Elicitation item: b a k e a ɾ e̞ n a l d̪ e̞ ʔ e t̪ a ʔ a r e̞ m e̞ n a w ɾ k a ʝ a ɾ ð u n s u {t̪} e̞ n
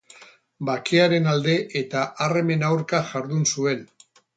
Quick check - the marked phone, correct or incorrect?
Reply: incorrect